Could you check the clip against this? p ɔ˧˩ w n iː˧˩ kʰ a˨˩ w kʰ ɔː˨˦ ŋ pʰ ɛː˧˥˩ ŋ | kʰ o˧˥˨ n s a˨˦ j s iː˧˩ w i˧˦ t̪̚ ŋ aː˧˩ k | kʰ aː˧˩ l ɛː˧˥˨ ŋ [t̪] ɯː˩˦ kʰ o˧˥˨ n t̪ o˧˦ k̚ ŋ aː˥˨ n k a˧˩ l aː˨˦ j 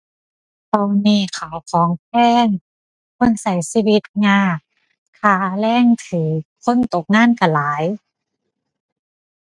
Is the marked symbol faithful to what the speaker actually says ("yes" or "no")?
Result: no